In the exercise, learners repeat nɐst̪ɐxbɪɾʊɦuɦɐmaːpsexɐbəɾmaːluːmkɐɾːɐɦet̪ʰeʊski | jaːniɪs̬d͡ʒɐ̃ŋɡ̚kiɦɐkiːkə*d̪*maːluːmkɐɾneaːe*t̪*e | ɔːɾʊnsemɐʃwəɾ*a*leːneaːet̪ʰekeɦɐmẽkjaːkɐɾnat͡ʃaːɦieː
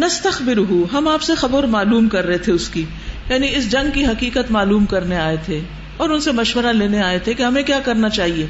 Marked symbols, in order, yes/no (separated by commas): no, no, yes